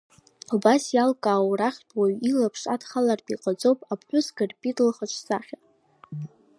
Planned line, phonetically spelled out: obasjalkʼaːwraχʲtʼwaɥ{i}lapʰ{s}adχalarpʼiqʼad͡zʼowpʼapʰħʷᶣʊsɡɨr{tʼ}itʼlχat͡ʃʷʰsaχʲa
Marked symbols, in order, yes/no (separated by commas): yes, no, no